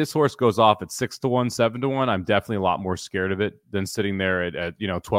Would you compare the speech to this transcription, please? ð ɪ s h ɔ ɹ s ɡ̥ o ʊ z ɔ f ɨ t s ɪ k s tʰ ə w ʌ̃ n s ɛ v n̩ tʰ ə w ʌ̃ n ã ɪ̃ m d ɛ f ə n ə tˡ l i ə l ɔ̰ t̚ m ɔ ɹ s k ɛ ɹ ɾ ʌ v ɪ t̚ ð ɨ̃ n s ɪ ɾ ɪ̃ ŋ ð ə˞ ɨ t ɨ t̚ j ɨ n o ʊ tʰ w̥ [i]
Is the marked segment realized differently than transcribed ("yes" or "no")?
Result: yes